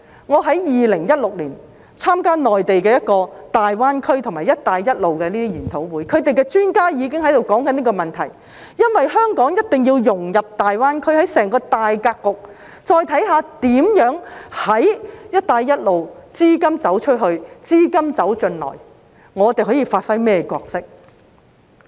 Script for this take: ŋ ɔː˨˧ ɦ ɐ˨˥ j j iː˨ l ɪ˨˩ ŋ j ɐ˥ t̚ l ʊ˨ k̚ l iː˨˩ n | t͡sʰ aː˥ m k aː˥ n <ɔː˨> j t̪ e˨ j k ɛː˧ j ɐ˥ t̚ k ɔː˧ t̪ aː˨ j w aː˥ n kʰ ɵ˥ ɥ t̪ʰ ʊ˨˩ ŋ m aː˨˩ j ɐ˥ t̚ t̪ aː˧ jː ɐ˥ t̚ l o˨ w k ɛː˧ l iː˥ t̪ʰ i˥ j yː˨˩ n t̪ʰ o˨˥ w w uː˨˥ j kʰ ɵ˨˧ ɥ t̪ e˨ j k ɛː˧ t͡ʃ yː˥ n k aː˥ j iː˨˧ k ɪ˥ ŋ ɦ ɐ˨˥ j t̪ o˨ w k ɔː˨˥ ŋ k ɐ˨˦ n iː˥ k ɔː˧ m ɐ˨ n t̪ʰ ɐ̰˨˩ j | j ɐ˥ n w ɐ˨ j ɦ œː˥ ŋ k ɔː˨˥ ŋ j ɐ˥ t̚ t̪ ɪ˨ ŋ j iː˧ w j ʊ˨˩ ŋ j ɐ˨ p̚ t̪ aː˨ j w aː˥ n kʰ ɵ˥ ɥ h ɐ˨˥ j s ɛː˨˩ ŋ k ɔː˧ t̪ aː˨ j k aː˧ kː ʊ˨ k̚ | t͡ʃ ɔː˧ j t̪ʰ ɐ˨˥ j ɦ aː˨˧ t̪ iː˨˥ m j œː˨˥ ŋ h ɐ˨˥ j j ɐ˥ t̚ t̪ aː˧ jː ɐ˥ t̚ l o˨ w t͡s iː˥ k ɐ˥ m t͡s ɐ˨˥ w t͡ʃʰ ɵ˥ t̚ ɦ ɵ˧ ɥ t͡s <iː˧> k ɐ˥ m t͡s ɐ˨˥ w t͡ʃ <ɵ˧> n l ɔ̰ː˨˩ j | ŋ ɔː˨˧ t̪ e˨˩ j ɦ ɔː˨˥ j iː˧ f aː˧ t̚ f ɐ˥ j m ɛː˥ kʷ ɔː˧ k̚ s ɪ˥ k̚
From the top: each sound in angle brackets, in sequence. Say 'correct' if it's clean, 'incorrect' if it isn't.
correct, incorrect: iː˥, correct

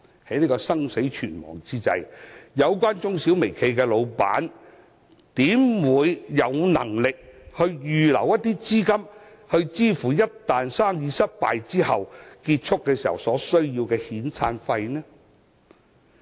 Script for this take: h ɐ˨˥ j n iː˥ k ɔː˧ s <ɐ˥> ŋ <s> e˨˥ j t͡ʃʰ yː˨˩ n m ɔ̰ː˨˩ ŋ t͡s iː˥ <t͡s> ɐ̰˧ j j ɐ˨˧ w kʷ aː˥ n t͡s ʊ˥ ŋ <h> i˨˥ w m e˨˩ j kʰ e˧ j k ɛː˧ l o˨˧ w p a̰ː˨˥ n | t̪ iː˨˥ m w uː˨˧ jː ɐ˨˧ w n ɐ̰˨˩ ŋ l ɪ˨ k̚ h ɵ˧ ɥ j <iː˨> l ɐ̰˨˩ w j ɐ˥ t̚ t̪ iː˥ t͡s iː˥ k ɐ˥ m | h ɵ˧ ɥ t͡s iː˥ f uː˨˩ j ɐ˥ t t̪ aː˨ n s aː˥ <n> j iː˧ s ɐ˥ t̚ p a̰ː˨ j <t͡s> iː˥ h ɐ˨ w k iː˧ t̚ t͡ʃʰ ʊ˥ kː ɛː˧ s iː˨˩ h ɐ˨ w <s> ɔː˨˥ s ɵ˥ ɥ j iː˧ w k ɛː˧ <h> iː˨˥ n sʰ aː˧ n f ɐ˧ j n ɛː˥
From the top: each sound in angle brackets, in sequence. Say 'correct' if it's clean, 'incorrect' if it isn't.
correct, correct, correct, incorrect: s, incorrect: yː˨, incorrect: ŋ, correct, correct, correct

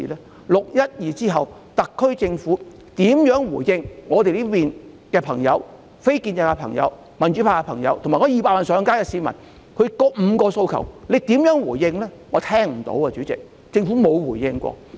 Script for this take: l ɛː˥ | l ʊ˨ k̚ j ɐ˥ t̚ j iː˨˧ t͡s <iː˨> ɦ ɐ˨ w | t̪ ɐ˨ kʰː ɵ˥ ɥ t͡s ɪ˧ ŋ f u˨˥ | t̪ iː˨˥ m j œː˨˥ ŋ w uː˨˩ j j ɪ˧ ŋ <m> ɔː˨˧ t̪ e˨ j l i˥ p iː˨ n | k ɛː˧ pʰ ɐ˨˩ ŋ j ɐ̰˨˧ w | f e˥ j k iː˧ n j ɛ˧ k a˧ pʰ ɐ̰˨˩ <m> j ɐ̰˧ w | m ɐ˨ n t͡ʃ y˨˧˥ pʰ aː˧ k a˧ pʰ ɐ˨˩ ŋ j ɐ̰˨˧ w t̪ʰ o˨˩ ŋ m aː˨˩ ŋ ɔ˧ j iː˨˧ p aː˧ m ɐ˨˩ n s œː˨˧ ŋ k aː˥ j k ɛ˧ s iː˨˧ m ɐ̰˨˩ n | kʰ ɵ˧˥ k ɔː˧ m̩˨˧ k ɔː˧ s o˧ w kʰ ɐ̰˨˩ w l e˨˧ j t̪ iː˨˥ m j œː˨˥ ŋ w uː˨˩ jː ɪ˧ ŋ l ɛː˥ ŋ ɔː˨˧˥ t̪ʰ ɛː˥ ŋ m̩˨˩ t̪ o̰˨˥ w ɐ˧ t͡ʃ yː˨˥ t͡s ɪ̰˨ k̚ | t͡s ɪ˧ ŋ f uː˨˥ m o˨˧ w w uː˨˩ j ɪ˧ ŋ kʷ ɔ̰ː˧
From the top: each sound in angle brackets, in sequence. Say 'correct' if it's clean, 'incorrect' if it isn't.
incorrect: iː˥, incorrect: ŋ, incorrect: ŋ

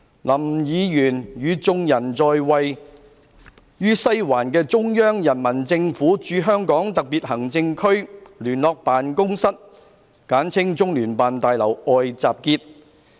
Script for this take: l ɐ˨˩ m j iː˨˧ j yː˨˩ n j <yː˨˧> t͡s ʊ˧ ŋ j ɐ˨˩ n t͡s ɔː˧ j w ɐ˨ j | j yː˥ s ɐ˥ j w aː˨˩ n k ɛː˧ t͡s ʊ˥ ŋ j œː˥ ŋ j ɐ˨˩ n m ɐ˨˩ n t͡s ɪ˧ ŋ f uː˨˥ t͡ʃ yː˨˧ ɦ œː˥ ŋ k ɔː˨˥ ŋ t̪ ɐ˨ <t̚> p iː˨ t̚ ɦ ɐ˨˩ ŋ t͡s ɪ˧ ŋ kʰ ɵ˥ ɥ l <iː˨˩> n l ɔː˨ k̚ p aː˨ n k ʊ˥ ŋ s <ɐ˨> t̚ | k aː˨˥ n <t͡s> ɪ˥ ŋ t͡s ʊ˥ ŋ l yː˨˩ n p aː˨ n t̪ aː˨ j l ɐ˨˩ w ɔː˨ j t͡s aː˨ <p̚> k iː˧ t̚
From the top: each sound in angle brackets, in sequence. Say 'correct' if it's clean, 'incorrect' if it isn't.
correct, incorrect: k̚, incorrect: yː˨˩, incorrect: ɐ˥, incorrect: t͡sʰ, correct

